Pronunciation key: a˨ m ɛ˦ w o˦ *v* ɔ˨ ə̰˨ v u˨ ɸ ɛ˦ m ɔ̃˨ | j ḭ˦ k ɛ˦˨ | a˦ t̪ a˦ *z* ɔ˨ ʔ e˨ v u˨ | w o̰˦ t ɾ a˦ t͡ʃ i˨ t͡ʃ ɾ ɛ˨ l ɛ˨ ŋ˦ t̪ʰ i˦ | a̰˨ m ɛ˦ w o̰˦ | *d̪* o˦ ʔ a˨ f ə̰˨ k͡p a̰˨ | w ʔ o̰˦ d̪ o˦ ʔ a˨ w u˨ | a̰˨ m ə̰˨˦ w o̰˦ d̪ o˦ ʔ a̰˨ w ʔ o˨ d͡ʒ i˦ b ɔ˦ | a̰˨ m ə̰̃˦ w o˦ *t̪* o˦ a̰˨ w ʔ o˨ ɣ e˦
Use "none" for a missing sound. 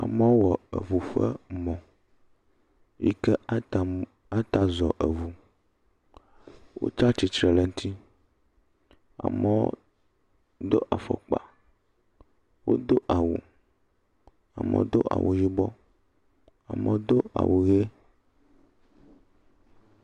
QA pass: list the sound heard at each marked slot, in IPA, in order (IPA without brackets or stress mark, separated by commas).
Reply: w, z, d̪, d̪